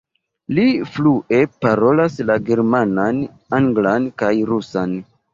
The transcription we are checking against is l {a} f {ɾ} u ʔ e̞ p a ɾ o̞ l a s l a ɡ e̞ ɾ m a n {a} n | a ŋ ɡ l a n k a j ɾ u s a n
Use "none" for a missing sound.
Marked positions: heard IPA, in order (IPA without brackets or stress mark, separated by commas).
i, l, a